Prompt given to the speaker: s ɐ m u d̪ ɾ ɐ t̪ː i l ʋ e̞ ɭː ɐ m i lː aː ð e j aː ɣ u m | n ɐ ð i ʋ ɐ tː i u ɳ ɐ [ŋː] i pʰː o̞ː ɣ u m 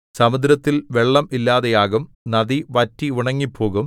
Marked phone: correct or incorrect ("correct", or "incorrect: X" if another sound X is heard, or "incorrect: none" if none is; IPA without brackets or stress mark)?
correct